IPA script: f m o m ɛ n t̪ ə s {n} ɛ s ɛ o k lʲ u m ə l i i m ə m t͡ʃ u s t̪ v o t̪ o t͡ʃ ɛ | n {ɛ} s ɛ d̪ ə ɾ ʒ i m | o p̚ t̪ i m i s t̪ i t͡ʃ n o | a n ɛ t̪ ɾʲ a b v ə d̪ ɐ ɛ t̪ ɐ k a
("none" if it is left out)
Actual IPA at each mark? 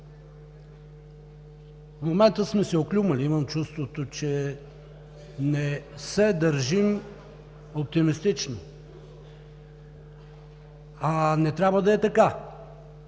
m, ɛ

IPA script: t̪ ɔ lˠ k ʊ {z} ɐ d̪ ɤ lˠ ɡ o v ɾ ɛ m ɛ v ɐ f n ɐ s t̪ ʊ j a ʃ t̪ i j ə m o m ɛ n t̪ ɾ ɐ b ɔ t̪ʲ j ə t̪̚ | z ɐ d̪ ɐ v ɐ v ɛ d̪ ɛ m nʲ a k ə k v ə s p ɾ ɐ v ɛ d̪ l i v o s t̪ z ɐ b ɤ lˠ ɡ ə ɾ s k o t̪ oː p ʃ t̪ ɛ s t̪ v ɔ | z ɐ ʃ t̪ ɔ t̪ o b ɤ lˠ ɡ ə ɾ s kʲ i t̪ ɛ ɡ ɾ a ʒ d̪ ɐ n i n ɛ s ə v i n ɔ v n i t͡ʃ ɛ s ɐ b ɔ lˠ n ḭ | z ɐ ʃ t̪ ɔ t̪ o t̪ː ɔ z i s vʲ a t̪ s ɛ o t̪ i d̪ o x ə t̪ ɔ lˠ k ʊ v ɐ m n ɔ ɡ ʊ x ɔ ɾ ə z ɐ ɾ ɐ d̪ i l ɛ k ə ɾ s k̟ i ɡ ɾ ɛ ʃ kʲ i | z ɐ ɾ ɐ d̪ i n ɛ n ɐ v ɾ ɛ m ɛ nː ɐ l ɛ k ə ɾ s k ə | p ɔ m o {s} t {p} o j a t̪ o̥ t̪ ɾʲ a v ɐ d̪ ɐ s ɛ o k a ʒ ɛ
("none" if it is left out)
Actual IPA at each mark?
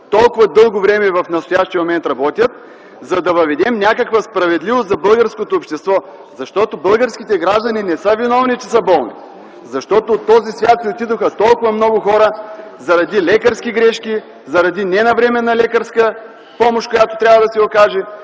v, ʃ, k

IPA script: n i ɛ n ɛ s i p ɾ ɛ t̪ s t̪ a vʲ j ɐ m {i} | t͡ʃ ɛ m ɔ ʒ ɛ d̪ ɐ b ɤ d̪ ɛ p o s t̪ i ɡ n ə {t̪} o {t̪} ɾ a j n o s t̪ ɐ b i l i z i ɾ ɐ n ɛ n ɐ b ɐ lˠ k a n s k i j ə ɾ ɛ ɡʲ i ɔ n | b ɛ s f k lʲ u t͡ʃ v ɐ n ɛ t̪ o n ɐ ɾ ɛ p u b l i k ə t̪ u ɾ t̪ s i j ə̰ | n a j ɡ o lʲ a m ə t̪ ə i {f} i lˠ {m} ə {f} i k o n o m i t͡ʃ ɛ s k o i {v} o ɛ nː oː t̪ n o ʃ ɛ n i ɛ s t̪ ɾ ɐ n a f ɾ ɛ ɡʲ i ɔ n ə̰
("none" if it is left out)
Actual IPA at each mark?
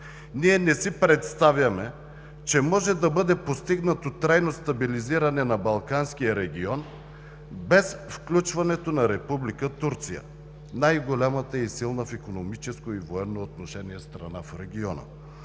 ɛ, t̪, t̪, s, n, f, v

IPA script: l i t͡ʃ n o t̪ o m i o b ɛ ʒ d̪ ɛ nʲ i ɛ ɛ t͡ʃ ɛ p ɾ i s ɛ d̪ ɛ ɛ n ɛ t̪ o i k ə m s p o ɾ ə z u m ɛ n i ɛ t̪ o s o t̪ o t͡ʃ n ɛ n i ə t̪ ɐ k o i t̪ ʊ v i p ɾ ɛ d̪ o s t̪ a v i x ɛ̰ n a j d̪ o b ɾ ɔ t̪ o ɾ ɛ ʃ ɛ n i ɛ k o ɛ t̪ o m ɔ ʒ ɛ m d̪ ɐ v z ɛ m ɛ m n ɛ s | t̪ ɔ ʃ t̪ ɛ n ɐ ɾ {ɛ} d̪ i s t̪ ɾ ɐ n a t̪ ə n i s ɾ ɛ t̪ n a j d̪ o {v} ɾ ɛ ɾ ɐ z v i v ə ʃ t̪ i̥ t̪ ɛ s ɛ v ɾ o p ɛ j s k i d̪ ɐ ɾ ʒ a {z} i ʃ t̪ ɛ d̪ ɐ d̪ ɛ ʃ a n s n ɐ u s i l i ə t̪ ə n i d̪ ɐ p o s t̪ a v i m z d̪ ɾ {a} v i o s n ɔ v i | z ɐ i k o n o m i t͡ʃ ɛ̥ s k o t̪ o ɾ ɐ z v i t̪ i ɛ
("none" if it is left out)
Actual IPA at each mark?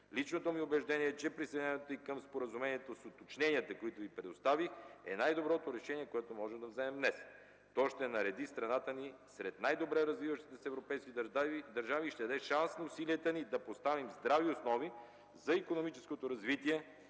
ɛ, b, v, a

